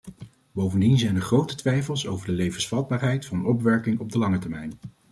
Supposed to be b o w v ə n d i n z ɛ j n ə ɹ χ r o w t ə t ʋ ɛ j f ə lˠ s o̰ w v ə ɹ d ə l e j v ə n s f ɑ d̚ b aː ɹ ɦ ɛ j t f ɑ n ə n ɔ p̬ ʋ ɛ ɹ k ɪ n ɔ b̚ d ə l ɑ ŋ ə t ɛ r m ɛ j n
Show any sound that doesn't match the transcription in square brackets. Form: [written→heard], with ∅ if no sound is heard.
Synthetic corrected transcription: b o w v ə n d i n z ɛ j n ə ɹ χ r o w t ə t ʋ ɛ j f ə lˠ s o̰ w v ə ɹ d ə l e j v ə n s f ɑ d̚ b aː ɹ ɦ ɛ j t f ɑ n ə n ɔ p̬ ʋ ɛ ɹ k ɪ [n→ŋ] ɔ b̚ d ə l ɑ ŋ ə t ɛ [r→ɹ] m ɛ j n